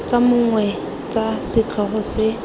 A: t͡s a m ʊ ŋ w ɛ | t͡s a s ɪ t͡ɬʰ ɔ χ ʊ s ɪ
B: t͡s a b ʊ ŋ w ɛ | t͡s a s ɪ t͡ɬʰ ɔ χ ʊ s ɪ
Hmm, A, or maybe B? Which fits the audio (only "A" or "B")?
A